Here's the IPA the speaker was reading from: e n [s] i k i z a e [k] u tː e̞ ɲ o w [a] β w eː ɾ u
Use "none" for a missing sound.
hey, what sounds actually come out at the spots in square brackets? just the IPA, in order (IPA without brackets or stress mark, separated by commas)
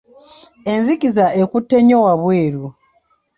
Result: z, k, a